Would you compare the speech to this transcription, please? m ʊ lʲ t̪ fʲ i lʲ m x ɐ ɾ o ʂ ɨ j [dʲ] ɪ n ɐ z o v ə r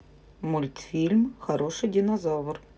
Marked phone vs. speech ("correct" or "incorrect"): correct